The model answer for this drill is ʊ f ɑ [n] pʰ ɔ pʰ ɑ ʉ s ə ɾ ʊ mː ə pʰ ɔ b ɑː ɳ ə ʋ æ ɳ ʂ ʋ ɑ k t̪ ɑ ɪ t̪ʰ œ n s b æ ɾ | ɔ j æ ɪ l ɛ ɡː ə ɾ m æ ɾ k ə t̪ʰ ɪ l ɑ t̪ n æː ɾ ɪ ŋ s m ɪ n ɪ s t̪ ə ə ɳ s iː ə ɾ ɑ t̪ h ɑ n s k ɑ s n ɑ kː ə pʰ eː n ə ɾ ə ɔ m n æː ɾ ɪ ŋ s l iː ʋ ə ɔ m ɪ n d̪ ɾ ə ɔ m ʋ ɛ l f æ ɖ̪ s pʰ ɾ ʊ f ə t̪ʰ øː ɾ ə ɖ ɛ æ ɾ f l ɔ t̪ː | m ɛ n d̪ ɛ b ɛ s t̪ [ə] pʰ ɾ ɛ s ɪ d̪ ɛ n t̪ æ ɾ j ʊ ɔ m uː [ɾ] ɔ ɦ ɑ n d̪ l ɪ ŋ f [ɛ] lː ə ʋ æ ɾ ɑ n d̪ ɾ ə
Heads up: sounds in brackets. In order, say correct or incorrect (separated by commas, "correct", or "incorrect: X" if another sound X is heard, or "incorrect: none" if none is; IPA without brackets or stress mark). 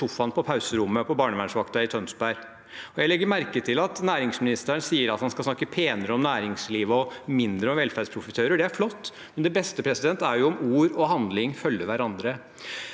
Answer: correct, correct, correct, incorrect: œ